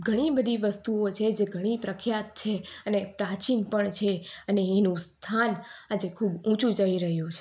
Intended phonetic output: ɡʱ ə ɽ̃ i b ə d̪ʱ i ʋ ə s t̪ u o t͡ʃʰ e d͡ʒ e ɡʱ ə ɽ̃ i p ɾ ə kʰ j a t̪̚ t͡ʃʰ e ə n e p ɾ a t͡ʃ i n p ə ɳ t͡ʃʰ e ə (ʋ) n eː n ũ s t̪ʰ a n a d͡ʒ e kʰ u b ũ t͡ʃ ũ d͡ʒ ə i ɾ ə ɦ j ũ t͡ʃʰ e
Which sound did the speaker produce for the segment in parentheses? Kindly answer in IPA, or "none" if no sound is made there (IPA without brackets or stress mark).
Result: none